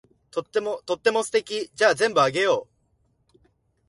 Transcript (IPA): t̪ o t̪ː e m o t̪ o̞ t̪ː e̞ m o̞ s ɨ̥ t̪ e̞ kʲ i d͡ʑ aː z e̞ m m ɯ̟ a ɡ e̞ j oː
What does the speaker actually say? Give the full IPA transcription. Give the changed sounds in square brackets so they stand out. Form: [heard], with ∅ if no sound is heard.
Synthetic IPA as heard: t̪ o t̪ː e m o t̪ o̞ t̪ː e̞ m o̞ s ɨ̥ t̪ e̞ kʲ i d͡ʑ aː z [ẽ̞] m [b] ɯ̟ a ɡ e̞ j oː